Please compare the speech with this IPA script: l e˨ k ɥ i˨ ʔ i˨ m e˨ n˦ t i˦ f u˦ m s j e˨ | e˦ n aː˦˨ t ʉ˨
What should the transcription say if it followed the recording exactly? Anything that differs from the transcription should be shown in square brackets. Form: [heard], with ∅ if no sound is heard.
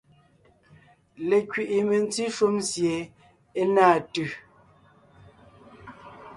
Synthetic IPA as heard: l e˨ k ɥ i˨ ʔ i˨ m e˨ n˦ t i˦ [ʃ] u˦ m s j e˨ | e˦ n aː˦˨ t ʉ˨